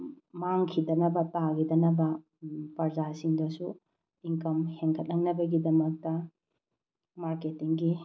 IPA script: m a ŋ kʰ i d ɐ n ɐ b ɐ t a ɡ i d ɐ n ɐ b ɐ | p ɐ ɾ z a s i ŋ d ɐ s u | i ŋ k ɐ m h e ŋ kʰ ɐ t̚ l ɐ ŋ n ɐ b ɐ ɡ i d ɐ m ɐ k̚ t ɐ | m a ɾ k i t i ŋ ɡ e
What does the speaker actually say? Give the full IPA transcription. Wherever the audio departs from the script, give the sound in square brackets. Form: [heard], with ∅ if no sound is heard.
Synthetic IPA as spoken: m a ŋ kʰ i d ɐ n ɐ b ɐ t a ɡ i d ɐ n ɐ b ɐ | p ɐ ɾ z a s i ŋ d ɐ s u | i ŋ k ɐ m h e ŋ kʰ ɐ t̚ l ɐ ŋ n ɐ b ɐ ɡ i d ɐ m ɐ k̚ t ɐ | m a ɾ k [e] t i ŋ ɡ [i]